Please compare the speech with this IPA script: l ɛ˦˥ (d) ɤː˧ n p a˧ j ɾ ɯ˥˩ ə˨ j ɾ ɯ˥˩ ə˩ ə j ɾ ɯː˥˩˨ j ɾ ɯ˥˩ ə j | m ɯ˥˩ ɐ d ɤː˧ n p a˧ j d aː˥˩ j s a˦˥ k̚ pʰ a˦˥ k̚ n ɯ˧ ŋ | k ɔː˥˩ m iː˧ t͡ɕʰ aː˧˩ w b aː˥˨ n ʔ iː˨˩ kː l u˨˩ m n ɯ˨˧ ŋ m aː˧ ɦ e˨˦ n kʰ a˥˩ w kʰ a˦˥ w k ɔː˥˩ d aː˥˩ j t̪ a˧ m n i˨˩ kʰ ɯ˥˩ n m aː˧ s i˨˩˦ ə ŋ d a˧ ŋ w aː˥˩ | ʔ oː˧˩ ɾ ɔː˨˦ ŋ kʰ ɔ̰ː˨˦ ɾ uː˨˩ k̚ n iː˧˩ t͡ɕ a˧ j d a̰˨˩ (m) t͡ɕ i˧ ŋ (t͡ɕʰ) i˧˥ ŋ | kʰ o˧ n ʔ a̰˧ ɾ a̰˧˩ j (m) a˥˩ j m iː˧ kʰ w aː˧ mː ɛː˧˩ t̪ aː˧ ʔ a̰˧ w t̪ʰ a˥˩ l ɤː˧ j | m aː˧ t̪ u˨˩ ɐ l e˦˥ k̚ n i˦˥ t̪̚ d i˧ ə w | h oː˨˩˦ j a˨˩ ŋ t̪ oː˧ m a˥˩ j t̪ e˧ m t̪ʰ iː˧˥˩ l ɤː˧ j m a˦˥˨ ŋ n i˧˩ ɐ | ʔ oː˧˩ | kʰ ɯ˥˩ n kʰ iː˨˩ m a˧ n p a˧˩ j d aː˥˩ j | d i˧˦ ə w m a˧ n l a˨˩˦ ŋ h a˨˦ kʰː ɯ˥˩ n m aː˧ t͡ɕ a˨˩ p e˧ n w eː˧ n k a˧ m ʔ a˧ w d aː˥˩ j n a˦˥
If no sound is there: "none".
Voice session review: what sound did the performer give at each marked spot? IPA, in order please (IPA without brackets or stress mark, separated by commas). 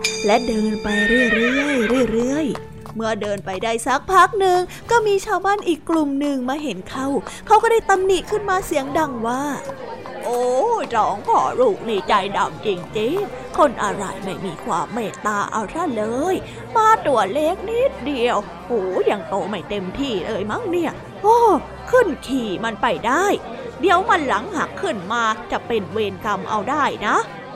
d, m, t͡ɕ, m